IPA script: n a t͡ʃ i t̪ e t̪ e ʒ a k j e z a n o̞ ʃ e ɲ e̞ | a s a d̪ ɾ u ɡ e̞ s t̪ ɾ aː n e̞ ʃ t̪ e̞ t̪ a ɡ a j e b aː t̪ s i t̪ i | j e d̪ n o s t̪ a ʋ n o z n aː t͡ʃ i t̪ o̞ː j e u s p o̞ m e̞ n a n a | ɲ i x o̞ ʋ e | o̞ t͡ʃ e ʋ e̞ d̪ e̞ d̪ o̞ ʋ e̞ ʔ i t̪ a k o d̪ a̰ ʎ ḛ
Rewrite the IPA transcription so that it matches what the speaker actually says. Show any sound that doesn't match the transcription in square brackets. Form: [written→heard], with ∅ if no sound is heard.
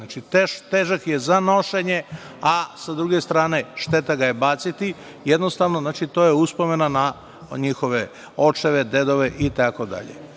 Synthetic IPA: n a t͡ʃ i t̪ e t̪ e ʒ a k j e z a n o̞ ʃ e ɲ e̞ | a s a d̪ ɾ u ɡ e̞ s t̪ ɾ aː n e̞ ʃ t̪ e̞ t̪ a ɡ a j e b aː t̪ s i t̪ i | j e d̪ n o s t̪ a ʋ n o z n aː t͡ʃ i t̪ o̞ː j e u s p o̞ m e̞ n a n a | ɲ i x o̞ ʋ e | o̞ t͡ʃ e ʋ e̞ d̪ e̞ d̪ o̞ ʋ e̞ ʔ i t̪ a k o d̪ a̰ ʎ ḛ